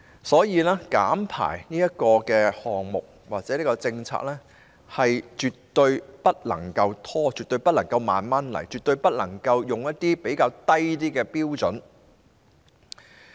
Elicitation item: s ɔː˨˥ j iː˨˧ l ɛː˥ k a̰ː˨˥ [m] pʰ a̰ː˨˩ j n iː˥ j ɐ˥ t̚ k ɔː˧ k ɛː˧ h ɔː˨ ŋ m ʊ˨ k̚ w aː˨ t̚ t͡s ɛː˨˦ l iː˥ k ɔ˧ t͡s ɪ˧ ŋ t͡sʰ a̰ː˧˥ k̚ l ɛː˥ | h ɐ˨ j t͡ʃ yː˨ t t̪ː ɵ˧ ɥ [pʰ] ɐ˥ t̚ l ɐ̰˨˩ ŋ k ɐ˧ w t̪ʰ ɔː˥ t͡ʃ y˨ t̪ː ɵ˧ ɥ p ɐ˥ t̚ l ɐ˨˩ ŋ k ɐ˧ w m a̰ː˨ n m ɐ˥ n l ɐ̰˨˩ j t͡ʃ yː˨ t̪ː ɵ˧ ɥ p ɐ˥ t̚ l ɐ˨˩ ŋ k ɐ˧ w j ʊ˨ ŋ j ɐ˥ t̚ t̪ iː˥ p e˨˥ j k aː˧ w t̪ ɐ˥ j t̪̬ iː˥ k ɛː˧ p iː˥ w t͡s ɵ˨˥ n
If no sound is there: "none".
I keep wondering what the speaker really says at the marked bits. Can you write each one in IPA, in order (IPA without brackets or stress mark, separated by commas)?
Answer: m, p